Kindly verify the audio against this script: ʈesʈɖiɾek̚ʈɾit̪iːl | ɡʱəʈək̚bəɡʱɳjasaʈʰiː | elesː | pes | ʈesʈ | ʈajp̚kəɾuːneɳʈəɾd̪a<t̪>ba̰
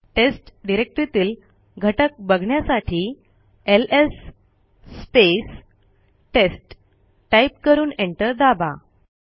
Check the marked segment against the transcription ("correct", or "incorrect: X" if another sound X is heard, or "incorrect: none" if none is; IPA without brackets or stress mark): incorrect: none